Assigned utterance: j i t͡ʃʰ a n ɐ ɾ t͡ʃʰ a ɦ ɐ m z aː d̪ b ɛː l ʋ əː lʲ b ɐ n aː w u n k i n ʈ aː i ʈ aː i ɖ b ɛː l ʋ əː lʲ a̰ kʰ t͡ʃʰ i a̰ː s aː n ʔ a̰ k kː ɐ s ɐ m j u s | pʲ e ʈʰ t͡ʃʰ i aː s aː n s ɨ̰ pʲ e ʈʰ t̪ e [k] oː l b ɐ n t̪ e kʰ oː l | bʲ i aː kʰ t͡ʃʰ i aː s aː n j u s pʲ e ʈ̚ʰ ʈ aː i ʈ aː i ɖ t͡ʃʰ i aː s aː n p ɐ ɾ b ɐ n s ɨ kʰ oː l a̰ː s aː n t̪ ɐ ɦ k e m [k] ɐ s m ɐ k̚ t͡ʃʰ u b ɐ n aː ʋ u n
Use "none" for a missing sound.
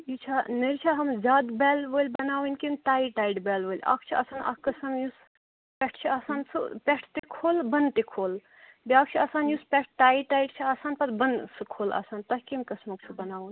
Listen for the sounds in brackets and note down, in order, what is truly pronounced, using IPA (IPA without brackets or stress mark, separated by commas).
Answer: kʰ, k